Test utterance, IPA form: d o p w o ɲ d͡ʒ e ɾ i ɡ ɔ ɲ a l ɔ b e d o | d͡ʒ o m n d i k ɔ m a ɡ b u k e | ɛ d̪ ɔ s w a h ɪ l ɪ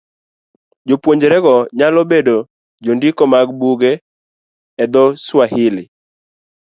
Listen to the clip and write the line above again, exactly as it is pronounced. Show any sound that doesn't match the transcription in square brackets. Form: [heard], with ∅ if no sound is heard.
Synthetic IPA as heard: [d͡ʒ] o p w o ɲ d͡ʒ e ɾ [ɛ] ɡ ɔ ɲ a l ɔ b e d o | d͡ʒ o [∅] n d i k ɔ m a ɡ b u [ɡ] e | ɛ d̪ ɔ s w a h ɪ l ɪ